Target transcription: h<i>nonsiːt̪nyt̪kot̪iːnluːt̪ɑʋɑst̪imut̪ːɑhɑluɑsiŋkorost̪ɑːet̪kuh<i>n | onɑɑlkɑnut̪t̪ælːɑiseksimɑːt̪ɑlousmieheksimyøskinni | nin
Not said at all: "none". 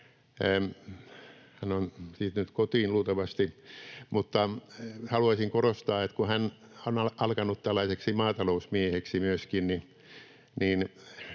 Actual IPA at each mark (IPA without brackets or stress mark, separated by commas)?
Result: æ, æ